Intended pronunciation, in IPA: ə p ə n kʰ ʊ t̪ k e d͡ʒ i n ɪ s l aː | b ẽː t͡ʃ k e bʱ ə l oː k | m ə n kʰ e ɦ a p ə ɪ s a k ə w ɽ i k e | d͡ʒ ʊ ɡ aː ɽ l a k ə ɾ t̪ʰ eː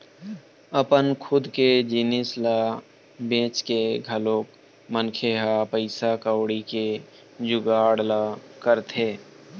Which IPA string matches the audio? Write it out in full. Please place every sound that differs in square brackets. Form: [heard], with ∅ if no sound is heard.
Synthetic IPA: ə p ə n kʰ ʊ [d̪] k e d͡ʒ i n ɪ s l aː | b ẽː t͡ʃ k e [ɡʱ] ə l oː k | m ə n kʰ e ɦ a p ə ɪ s a k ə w ɽ i k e | d͡ʒ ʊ ɡ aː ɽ l a k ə ɾ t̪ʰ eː